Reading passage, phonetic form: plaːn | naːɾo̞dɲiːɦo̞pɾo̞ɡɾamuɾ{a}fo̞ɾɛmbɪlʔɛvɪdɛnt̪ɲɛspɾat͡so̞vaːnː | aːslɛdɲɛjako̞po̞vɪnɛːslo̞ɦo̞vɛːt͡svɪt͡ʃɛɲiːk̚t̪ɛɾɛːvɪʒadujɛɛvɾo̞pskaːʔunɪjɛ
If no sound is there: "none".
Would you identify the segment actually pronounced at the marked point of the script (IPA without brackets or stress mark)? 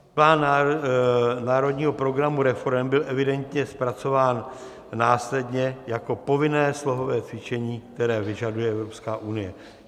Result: ɛ